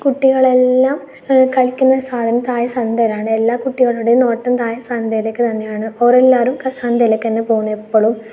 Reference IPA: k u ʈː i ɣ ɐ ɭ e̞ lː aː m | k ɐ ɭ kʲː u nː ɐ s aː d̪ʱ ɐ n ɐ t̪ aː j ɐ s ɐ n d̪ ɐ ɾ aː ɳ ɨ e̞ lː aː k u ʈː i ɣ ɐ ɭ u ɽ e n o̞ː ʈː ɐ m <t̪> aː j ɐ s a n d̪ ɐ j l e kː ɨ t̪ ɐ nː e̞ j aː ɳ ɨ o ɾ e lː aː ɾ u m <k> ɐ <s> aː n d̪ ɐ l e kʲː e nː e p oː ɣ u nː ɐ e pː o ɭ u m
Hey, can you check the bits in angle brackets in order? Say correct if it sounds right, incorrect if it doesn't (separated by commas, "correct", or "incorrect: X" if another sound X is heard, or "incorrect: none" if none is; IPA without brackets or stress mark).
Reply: correct, correct, correct